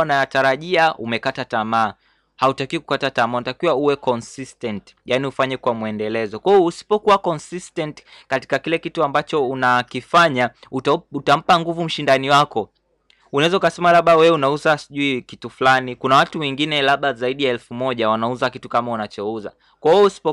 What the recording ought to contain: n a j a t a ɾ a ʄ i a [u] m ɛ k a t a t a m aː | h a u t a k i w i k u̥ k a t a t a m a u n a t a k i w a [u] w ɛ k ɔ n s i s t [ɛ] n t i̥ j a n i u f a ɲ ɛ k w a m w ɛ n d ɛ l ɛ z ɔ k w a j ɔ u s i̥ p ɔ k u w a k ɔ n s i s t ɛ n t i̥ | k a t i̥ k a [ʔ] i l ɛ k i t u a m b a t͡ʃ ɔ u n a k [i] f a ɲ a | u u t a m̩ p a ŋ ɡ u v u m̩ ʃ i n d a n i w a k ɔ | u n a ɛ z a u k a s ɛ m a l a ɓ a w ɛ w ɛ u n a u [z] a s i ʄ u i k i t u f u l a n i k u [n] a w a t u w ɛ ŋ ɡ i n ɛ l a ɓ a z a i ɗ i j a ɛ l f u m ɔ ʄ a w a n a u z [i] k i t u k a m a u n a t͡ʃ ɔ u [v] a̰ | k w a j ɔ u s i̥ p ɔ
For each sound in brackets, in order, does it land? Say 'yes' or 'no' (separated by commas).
yes, yes, yes, no, yes, yes, yes, no, no